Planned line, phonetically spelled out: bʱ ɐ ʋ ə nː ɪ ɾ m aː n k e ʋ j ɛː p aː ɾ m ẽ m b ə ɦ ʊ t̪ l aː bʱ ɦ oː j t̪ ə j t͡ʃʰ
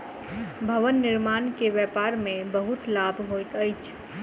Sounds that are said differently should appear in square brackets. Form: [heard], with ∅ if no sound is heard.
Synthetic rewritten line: bʱ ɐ ʋ ə nː ɪ ɾ m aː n k e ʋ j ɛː p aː ɾ m ẽ [∅] b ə ɦ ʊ t̪ l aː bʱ ɦ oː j t̪ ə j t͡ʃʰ

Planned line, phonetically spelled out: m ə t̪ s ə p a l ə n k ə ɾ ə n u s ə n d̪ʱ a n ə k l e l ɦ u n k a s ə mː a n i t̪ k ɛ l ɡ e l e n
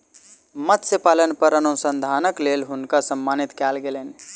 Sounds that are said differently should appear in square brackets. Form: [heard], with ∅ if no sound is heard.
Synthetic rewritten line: m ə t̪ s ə p a l ə n [p] ə ɾ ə n u s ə n d̪ʱ a n ə k l e l ɦ u n k a s ə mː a n i t̪ k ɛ l ɡ e l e n

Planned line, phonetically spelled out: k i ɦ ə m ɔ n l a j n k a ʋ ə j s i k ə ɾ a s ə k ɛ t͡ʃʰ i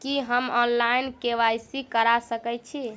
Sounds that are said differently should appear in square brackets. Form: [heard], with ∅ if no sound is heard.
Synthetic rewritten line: k i ɦ ə m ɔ n l a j n k [e] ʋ [a] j s i k ə ɾ a s ə k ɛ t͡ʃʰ i

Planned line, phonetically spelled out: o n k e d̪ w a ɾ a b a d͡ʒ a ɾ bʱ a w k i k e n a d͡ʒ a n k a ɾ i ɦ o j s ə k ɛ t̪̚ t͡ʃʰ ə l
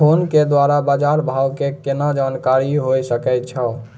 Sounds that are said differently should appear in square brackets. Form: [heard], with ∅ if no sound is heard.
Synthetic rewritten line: o n k e d̪ w a ɾ a b a d͡ʒ a ɾ bʱ a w k [e] k e n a d͡ʒ a n k a ɾ i ɦ o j s ə k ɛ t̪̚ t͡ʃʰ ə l

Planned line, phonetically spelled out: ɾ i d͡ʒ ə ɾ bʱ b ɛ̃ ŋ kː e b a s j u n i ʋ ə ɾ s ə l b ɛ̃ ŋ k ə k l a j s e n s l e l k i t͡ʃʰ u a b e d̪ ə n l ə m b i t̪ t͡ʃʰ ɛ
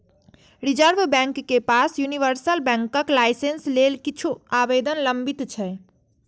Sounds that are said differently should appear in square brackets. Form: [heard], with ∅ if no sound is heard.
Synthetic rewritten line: ɾ i d͡ʒ ə ɾ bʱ b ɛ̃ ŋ kː e [p] a s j u n i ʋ ə ɾ s ə l b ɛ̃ ŋ k ə k l a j s e n s l e l k i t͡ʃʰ u a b e d̪ ə n l ə m b i t̪ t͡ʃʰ ɛ

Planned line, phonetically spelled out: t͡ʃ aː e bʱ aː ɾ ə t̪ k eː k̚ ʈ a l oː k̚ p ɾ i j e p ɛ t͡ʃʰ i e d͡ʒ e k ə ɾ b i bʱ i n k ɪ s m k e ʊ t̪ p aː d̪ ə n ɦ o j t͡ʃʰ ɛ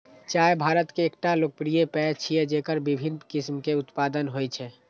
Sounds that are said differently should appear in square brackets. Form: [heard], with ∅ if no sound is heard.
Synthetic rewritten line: t͡ʃ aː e bʱ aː ɾ ə t̪ k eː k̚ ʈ a l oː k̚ p ɾ i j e p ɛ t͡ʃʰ i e d͡ʒ e k ə ɾ b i bʱ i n k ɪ s m k e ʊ t̪ p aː d̪ ə n ɦ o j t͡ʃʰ ɛ

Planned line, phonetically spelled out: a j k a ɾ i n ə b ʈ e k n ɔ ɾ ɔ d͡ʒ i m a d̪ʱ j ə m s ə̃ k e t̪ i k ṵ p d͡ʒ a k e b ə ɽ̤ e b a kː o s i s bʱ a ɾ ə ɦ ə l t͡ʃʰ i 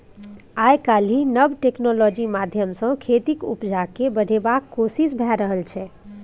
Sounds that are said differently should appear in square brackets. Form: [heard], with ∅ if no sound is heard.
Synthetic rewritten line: a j k a [l] i n ə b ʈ e k n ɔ [l] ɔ d͡ʒ i m a d̪ʱ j ə m s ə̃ [kʰ] e t̪ i k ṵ p d͡ʒ a k e b ə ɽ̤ e b a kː o s i s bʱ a ɾ ə ɦ ə l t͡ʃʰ [ɛ]

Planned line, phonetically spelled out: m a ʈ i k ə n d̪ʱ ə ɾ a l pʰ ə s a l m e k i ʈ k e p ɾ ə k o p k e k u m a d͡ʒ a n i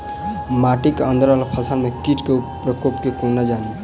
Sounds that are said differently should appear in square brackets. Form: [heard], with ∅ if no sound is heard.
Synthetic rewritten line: m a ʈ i k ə n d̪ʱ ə ɾ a l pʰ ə s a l m e k i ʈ k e p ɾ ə k o p k e k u [n] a d͡ʒ a n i

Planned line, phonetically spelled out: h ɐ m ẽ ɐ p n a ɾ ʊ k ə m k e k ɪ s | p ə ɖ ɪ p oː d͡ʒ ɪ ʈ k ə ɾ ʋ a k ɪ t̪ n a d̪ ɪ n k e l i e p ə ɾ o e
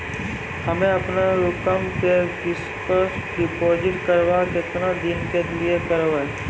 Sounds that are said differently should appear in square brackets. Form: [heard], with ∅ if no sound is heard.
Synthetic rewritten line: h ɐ m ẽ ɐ p n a ɾ ʊ k ə m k e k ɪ s | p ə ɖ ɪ p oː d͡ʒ ɪ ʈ k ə ɾ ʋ a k ɪ t̪ n a d̪ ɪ n k e l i e [k] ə ɾ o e

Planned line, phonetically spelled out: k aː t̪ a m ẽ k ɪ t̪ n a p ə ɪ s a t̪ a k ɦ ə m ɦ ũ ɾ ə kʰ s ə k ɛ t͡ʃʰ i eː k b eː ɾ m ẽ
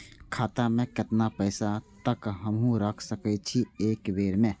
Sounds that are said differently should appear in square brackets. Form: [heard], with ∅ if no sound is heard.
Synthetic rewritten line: [kʰ] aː t̪ a m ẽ k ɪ t̪ n a p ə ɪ s a t̪ [ə] k ɦ ə m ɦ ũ ɾ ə kʰ s ə k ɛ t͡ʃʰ i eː k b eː ɾ m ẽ

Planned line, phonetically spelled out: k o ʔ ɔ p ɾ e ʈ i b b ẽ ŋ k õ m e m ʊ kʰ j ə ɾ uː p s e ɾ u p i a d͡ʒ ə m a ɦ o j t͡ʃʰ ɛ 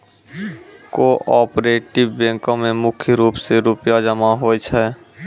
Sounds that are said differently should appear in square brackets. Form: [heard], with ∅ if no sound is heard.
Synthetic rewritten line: k o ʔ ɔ p ɾ e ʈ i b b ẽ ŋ k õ m e m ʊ kʰ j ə ɾ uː p s e ɾ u p [j] a d͡ʒ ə m a ɦ o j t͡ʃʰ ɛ

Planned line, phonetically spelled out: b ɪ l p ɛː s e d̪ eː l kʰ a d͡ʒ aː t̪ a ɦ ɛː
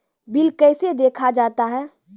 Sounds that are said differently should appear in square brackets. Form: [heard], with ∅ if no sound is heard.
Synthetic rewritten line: b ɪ l [k] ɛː s e d̪ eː [∅] kʰ a d͡ʒ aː t̪ a ɦ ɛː

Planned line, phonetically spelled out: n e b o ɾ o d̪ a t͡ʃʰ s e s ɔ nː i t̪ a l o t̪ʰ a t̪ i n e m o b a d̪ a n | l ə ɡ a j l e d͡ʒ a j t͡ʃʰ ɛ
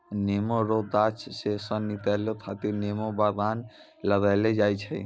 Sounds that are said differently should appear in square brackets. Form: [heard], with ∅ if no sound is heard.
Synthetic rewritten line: n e [m] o ɾ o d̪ a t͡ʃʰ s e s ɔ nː i t̪ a l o t̪ʰ a t̪ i n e m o b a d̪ a n | l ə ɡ a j l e d͡ʒ a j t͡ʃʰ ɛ

